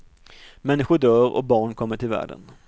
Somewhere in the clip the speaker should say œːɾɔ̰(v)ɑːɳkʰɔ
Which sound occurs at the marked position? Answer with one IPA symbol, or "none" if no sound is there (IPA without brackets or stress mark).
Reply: b